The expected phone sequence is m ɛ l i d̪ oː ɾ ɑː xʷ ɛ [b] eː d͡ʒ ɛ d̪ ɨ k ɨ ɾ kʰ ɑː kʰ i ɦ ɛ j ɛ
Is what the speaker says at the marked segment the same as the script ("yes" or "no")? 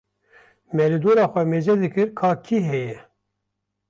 no